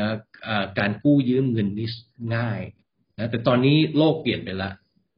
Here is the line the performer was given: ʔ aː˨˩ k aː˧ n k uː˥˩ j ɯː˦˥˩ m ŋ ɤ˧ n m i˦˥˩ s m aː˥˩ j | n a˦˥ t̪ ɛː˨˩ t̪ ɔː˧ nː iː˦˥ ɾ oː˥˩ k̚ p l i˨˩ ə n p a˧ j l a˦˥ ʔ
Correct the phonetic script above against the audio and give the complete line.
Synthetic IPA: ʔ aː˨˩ k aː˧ n k uː˥˩ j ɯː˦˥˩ m ŋ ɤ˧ n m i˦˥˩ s ŋ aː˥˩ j | n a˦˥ t̪ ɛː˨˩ t̪ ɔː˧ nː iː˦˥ l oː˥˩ k̚ p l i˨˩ ə n p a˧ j l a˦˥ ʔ